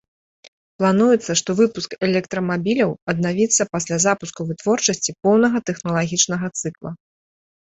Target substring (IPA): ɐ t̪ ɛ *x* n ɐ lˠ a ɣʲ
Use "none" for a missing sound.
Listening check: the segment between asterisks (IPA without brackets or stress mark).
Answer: x